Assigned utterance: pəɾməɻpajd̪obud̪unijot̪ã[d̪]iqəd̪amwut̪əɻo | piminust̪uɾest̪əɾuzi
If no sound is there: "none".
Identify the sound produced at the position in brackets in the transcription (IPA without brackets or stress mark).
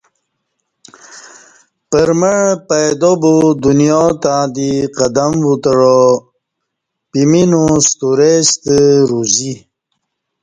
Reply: d̪